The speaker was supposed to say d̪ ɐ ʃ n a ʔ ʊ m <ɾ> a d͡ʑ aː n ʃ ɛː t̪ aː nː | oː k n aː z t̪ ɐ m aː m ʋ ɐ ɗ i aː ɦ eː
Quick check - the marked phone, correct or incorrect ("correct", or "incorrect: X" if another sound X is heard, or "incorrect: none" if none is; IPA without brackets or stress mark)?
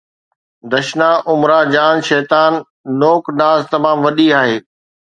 correct